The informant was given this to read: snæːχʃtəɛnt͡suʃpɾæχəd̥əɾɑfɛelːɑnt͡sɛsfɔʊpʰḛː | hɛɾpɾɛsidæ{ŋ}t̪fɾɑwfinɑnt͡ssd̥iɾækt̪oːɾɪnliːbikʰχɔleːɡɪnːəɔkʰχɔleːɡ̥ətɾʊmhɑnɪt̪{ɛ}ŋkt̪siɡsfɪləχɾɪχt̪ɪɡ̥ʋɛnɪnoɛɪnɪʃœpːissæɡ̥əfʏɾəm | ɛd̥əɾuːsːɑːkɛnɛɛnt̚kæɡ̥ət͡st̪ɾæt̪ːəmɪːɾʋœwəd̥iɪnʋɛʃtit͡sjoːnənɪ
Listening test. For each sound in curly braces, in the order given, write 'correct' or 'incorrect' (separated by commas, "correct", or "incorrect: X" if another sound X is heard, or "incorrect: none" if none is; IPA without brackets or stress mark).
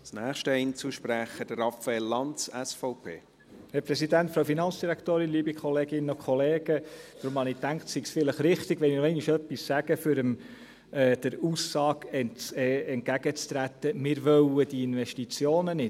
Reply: incorrect: n, incorrect: æ